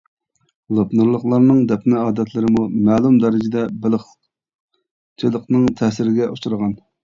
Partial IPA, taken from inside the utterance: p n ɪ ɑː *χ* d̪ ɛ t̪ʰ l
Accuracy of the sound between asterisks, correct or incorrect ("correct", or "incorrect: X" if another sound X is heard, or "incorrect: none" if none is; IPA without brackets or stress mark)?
incorrect: none